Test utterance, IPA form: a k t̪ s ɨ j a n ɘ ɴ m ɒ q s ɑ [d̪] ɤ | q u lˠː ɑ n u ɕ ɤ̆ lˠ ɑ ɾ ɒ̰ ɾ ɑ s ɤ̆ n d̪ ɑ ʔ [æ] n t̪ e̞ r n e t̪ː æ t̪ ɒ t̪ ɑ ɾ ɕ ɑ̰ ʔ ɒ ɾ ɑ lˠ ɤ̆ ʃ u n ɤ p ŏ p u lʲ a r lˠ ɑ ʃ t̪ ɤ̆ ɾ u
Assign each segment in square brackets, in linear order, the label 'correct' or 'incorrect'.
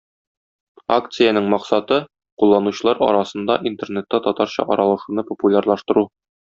incorrect: t̪, incorrect: i

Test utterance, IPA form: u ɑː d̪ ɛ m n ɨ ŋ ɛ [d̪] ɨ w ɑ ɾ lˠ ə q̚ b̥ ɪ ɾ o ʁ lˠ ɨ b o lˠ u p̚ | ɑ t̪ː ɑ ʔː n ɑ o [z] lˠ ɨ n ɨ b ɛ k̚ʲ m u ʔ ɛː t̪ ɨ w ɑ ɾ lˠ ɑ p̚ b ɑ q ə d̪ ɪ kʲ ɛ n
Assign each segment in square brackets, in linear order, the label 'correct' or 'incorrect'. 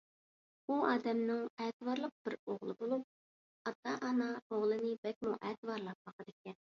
incorrect: t̪, incorrect: ʁ

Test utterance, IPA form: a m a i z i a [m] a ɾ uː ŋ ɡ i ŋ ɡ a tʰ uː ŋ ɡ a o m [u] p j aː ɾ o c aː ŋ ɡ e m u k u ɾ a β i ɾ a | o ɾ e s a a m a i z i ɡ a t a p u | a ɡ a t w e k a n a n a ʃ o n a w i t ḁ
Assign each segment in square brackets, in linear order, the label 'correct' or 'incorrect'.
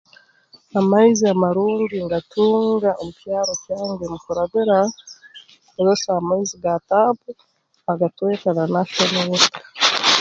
correct, correct

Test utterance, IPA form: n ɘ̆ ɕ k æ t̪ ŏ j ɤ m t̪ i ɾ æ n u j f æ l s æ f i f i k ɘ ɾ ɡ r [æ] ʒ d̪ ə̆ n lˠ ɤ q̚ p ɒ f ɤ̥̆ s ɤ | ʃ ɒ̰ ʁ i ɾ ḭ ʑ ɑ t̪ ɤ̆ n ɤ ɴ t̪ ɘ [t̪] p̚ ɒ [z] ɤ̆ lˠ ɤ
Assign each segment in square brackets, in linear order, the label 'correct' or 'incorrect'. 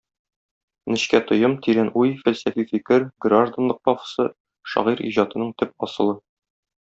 incorrect: a, incorrect: none, incorrect: s

